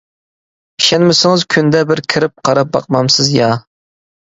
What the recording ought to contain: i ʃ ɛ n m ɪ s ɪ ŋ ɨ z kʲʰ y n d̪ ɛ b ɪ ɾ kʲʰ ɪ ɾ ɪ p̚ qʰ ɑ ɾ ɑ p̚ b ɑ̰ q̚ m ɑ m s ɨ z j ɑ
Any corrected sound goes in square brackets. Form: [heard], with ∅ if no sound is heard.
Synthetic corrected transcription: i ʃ ɛ n m ɪ s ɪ ŋ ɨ z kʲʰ y n d̪ ɛ b ɪ ɾ kʲʰ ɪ ɾ ɪ p̚ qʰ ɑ ɾ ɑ p̚ b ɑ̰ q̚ m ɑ m s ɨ z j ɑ